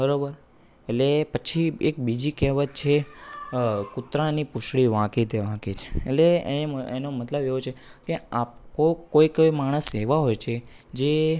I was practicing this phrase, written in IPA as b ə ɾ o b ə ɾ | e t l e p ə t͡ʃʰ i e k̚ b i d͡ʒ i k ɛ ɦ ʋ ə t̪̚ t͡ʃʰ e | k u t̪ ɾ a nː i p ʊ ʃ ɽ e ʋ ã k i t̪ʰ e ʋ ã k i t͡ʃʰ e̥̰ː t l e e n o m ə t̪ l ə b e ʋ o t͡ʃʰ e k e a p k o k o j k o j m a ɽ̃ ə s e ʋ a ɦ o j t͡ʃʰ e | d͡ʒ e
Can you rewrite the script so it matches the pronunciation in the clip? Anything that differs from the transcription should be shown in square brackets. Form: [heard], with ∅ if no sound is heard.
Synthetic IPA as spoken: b ə ɾ o b ə ɾ | e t l e p ə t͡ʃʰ i e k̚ b i d͡ʒ i k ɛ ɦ ʋ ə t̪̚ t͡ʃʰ e | k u t̪ ɾ a [n] i p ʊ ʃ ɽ [i] ʋ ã k i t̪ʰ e ʋ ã k i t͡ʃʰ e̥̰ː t l e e n o m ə t̪ l ə b e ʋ o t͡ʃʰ e k e a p k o k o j k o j m a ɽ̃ ə s e ʋ a ɦ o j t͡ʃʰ e | d͡ʒ e